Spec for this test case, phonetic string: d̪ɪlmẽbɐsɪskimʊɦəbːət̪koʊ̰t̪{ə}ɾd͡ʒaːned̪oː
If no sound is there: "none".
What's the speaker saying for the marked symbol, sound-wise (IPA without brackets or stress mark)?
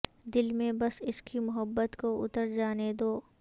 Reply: ə